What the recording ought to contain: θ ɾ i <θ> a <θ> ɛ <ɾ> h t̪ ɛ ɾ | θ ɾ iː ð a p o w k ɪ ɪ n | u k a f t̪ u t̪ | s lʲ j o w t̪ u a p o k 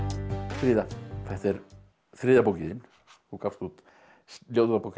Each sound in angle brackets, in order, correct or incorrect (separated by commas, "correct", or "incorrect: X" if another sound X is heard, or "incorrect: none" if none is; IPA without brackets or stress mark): incorrect: ð, incorrect: f, incorrect: none